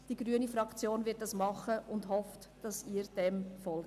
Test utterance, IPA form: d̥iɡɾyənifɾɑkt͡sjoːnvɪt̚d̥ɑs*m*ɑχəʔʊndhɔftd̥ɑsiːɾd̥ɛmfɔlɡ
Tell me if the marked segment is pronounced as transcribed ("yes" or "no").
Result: yes